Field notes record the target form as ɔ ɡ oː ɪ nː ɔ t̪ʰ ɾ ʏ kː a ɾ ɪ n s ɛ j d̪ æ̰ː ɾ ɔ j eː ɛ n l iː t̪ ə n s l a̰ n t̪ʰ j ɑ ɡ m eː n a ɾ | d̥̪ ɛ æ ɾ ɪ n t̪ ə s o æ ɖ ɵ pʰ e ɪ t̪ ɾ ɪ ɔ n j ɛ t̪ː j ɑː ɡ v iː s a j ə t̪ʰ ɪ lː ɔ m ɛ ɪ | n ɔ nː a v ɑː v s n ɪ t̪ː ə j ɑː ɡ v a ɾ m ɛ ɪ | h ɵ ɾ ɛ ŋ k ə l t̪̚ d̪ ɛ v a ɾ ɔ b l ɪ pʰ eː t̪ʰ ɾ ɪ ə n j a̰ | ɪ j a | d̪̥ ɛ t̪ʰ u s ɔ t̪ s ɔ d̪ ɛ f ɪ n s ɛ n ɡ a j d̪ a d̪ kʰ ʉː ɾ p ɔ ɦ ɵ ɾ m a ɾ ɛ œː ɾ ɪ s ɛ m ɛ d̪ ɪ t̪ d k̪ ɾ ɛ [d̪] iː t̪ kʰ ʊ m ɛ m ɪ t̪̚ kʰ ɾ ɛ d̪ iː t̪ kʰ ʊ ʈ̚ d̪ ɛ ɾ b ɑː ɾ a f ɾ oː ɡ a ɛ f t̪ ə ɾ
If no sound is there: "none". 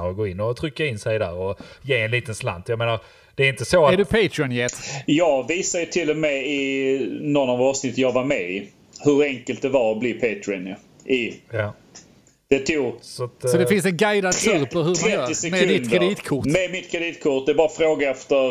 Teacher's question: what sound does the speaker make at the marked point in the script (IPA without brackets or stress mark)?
d̪